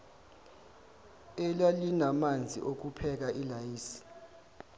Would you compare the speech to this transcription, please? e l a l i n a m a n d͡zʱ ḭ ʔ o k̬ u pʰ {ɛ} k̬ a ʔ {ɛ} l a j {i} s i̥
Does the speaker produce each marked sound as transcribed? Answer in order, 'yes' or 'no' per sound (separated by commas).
yes, no, no